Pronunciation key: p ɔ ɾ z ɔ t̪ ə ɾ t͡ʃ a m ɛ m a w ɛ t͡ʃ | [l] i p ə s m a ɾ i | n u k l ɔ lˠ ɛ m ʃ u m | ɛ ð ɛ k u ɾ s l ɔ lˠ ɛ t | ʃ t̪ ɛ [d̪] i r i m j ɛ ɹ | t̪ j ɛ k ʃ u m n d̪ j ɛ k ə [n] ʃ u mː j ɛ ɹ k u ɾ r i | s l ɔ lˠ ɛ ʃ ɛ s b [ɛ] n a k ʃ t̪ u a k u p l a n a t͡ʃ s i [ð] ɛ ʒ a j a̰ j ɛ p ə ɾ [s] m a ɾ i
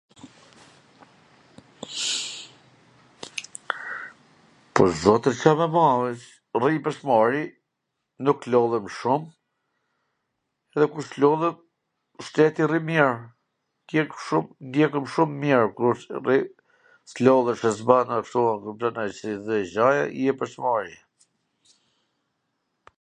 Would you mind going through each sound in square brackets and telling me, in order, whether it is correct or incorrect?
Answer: incorrect, incorrect, incorrect, incorrect, correct, correct

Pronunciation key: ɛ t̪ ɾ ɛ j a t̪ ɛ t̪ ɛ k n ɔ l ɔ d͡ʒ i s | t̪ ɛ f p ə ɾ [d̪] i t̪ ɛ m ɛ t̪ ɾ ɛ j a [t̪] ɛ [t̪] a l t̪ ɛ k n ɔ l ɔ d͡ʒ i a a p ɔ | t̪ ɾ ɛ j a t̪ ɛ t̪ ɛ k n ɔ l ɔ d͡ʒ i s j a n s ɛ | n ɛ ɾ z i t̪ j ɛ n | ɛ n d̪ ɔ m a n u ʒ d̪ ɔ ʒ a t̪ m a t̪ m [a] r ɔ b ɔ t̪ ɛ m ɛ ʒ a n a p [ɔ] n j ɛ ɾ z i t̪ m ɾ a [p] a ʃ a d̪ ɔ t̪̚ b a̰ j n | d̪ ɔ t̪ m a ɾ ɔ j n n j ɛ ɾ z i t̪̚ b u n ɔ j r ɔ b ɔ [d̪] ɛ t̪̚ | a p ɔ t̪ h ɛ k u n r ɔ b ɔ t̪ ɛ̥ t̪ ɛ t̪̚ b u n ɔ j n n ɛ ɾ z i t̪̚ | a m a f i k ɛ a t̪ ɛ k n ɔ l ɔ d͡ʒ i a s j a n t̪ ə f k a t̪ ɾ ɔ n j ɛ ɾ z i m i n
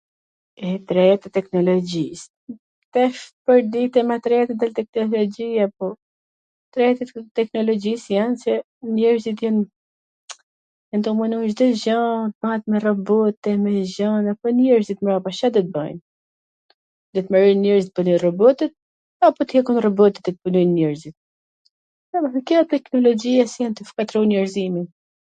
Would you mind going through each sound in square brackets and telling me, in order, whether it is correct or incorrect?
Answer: correct, correct, incorrect, incorrect, correct, correct, incorrect

